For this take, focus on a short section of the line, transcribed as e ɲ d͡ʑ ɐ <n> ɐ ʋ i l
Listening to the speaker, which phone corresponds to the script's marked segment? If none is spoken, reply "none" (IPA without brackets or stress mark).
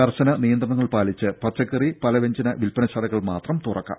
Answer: n